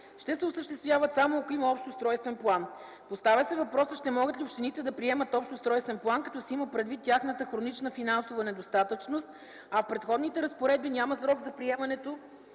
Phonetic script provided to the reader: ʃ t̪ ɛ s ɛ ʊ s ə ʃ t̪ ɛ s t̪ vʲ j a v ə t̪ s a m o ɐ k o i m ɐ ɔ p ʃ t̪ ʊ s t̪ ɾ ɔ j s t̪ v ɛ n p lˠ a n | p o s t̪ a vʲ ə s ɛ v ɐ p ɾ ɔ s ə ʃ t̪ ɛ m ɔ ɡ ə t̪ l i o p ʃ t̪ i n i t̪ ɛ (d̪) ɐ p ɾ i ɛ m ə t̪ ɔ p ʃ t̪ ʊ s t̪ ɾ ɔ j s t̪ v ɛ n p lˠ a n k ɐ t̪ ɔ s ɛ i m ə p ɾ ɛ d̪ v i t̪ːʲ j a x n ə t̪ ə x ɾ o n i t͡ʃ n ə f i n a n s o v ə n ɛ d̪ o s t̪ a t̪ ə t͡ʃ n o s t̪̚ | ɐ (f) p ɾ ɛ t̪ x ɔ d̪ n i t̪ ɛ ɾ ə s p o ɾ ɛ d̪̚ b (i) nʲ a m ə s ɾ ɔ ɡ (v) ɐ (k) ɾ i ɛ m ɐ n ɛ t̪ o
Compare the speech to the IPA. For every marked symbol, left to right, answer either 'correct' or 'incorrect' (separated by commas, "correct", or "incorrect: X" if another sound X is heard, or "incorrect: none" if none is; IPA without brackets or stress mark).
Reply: correct, correct, correct, incorrect: z, incorrect: p